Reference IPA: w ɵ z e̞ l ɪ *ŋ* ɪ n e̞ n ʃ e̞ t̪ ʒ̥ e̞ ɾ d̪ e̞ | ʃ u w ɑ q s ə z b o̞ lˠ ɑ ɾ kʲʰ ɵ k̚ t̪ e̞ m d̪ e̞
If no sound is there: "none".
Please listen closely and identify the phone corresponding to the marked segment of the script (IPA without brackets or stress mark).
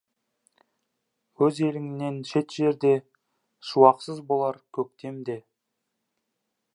ŋ